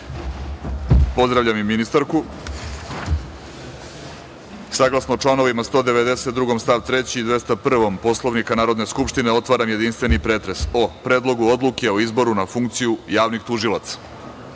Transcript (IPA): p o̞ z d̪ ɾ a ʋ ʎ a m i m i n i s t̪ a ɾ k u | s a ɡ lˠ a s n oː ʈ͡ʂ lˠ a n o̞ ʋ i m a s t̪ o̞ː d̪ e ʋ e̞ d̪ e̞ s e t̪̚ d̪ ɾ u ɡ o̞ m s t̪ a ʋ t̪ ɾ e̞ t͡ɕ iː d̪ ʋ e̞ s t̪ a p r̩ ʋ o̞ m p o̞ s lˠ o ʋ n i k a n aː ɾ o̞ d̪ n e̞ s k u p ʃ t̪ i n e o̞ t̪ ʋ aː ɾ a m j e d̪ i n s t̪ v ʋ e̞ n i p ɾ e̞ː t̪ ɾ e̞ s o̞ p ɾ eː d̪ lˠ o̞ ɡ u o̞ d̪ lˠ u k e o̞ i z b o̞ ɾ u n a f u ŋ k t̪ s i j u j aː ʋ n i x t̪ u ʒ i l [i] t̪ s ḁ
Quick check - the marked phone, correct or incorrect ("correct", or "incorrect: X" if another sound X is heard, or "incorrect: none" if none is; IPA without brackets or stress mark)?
incorrect: a